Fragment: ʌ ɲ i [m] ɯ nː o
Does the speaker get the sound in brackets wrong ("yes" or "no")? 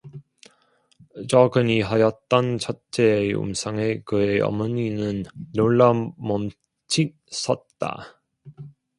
yes